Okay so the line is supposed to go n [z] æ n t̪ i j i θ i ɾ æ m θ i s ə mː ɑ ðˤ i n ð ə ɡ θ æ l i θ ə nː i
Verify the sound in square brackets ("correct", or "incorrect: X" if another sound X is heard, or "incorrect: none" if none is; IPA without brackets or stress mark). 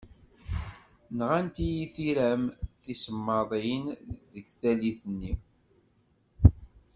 incorrect: ʁ